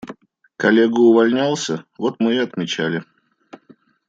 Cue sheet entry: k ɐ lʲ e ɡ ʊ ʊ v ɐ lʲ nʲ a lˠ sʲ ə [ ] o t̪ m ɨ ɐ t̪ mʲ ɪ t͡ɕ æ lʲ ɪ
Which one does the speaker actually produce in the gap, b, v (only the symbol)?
v